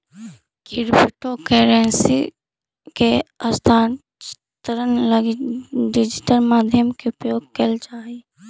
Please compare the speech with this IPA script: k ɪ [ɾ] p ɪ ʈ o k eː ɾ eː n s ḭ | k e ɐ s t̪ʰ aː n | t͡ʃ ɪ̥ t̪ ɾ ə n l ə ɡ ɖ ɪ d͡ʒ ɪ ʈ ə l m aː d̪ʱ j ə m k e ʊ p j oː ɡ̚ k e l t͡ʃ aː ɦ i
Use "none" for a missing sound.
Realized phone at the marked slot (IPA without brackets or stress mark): ɾ